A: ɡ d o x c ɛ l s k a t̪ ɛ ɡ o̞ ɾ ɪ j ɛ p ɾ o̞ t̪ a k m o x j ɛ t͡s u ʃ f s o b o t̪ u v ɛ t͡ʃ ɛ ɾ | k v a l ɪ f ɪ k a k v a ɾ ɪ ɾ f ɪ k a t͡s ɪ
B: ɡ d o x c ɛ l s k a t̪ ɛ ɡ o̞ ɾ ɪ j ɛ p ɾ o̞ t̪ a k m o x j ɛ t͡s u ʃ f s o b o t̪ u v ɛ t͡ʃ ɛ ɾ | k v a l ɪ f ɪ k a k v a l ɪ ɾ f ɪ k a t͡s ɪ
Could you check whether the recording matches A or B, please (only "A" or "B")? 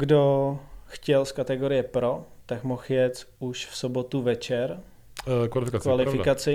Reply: B